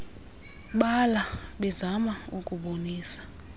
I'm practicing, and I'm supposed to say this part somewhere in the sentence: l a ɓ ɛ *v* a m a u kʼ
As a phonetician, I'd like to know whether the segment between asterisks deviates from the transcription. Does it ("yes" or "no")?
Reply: yes